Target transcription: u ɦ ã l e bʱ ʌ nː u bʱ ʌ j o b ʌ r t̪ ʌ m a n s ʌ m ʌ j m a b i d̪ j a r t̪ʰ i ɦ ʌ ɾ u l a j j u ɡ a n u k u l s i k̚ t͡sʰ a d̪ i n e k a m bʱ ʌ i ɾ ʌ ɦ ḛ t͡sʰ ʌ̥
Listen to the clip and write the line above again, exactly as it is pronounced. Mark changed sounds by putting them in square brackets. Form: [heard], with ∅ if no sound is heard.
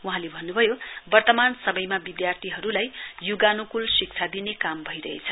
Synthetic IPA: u ɦ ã l e bʱ ʌ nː u bʱ ʌ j o b ʌ r t̪ ʌ m a n s ʌ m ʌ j m a b i d̪ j a r t̪ʰ i ɦ ʌ ɾ u l a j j u ɡ a n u k u l s i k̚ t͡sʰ a d̪ i n e k a m bʱ ʌ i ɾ ʌ ɦ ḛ t͡sʰ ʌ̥